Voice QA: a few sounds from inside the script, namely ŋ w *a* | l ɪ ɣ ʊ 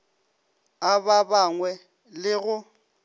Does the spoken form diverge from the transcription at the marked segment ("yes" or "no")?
yes